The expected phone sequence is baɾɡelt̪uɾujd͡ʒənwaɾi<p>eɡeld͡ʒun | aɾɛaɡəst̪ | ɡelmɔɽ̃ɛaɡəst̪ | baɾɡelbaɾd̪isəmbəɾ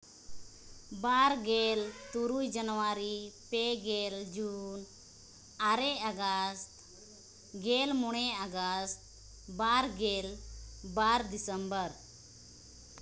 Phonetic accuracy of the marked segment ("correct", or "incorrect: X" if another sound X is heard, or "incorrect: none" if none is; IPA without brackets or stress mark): correct